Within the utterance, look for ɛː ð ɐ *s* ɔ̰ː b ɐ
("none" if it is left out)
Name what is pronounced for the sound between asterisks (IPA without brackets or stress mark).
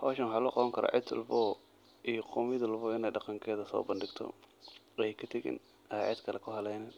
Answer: s